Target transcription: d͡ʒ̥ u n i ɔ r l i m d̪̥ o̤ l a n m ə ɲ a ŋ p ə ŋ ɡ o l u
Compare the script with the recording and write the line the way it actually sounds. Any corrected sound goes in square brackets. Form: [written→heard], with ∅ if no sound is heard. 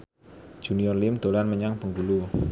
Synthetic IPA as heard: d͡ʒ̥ u n i ɔ r l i m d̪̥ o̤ l a n m ə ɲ a ŋ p ə ŋ ɡ [o→u] l u